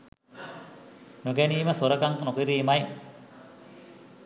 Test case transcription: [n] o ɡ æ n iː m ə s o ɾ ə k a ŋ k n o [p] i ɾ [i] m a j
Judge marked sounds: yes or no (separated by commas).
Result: yes, no, no